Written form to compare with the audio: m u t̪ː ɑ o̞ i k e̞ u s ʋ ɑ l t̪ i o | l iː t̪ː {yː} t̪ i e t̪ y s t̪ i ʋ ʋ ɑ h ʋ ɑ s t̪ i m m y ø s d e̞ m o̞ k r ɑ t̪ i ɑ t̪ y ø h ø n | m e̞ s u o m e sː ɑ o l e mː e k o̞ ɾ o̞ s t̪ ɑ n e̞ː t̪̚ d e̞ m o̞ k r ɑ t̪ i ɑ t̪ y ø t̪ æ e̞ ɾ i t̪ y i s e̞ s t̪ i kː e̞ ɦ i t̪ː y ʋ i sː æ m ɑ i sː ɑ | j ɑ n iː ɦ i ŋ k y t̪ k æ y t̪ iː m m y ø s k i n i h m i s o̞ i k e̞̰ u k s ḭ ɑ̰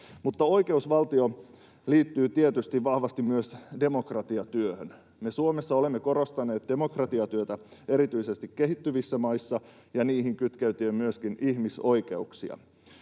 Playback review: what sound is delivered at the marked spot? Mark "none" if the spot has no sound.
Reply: yː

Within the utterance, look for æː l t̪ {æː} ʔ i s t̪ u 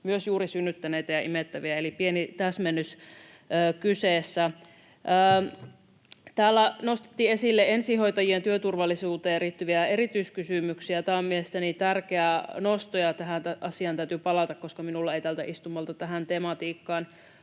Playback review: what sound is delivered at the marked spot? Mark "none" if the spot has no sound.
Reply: æ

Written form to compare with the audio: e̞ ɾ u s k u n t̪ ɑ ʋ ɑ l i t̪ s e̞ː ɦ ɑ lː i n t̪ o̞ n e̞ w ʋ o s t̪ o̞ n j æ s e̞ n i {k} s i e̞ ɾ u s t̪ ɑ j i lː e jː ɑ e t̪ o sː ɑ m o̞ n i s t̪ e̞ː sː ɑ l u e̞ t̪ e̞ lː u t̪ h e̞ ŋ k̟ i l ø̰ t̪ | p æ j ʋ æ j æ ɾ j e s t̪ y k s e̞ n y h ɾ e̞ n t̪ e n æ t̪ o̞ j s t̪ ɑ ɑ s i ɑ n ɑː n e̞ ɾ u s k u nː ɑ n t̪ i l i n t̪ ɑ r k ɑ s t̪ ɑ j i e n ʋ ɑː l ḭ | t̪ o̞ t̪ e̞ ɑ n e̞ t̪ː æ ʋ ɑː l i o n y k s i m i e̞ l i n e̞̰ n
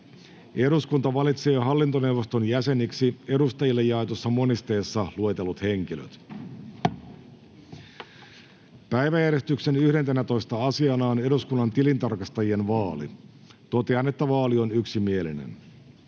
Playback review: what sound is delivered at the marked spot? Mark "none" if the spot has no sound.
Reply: k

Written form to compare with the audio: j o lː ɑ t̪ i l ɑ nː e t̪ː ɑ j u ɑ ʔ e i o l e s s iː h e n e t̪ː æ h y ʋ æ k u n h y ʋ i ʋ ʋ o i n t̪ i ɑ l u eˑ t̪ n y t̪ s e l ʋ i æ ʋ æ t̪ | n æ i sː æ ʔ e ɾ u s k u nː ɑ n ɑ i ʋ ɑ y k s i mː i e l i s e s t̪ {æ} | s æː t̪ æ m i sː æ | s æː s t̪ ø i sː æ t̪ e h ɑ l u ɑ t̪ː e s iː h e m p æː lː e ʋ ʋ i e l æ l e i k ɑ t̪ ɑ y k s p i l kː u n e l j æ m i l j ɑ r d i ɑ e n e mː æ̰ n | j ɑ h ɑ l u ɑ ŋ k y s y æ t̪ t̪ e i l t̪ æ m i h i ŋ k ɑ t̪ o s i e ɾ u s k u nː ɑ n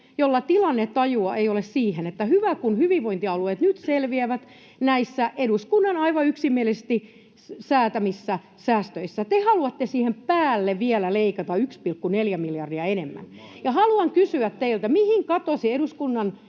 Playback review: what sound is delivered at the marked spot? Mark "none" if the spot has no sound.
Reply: i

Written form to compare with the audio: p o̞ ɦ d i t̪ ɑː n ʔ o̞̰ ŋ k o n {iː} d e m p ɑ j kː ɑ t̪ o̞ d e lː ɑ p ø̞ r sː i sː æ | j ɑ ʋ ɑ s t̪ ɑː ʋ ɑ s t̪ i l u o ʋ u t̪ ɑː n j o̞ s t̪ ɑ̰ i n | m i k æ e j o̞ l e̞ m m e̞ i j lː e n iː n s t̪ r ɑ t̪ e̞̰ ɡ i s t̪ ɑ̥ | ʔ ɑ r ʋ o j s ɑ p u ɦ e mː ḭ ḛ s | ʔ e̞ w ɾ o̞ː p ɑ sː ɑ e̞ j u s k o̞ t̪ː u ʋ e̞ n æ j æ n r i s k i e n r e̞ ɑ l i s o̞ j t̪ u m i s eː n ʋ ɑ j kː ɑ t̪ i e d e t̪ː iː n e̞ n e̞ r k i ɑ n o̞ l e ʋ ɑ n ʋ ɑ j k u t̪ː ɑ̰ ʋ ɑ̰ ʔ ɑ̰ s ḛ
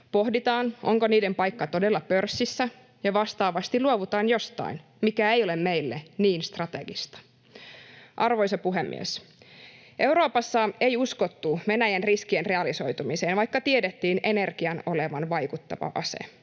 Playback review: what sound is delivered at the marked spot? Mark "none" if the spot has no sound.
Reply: iː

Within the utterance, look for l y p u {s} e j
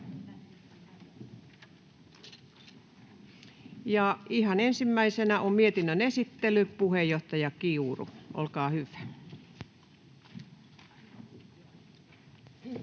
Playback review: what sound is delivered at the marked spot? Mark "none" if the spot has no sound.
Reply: h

